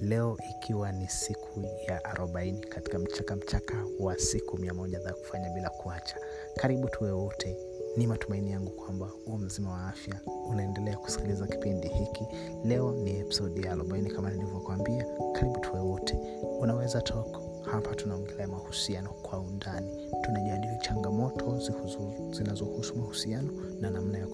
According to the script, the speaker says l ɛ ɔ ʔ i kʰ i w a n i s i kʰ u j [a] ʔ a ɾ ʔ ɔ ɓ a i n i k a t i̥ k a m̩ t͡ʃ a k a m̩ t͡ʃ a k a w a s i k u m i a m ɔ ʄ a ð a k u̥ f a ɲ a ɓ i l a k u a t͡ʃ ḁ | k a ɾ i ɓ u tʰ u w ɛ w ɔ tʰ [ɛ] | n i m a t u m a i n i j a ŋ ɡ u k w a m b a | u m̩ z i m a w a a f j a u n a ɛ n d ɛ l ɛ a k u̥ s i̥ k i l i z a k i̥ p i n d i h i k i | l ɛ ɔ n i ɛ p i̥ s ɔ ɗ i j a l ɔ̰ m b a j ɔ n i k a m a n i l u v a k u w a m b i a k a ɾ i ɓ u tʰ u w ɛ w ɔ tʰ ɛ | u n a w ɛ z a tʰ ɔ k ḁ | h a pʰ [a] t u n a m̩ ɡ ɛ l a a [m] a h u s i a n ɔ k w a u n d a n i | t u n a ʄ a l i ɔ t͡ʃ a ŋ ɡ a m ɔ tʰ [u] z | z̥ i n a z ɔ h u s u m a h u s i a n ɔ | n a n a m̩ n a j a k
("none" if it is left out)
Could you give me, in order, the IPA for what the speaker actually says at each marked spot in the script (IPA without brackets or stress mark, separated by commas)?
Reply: a, ɛ, a, m, ɔ